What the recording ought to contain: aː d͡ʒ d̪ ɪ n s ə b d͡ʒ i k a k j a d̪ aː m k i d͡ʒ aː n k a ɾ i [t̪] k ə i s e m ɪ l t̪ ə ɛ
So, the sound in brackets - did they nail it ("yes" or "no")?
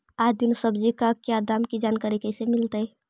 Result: no